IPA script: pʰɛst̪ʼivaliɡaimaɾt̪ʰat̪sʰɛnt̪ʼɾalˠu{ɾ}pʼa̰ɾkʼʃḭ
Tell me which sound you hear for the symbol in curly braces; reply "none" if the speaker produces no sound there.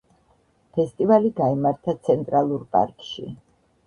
ɾ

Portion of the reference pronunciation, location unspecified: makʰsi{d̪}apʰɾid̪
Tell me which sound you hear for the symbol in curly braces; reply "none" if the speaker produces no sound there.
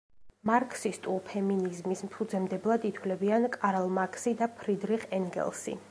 d̪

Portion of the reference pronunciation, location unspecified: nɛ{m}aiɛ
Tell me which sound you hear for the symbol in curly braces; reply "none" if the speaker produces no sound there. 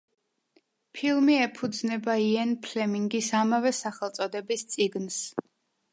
b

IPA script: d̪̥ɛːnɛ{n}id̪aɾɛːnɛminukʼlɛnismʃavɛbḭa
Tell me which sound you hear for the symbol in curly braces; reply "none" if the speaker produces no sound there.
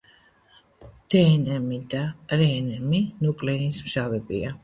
m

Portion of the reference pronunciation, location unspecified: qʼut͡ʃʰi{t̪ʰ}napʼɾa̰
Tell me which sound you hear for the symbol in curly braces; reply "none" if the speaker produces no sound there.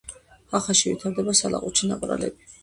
none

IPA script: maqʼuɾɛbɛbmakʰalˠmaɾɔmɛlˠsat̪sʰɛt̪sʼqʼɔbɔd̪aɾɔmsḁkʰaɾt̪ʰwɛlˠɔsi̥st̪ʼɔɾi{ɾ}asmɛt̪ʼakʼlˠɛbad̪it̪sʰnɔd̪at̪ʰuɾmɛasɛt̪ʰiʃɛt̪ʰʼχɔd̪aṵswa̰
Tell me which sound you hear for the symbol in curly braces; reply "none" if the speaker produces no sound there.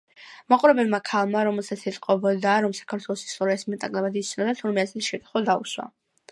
none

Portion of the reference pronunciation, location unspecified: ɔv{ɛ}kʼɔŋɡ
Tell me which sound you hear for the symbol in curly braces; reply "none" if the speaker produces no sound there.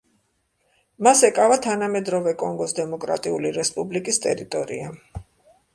ɛ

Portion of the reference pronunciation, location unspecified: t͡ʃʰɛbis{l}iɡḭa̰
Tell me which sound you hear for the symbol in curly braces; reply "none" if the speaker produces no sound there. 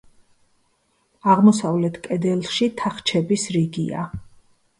ɾ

